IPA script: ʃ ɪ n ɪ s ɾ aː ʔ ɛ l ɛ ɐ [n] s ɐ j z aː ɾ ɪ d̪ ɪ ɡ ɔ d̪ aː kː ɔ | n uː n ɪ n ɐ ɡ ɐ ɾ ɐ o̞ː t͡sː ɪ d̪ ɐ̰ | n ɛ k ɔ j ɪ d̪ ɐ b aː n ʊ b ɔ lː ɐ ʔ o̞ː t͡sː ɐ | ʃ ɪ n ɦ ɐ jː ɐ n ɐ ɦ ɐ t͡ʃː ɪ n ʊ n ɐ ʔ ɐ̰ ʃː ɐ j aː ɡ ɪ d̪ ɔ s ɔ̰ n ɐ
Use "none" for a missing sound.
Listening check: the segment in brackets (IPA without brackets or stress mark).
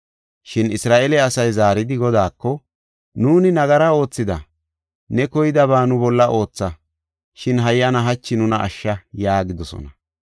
none